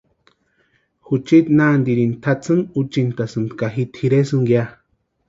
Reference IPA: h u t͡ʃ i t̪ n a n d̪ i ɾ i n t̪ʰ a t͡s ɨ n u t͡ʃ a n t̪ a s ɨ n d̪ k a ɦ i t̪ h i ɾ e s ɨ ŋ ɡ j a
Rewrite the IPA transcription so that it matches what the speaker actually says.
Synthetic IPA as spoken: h u t͡ʃ i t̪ n a n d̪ i ɾ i n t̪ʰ a t͡s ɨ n u t͡ʃ i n t̪ a s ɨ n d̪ k a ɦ i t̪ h i ɾ e s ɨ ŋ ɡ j a